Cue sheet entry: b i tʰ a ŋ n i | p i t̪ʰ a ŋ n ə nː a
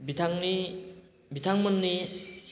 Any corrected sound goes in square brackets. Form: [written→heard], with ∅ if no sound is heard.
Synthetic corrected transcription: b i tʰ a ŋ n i | [p→b] i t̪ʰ a ŋ [n→m] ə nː [a→i]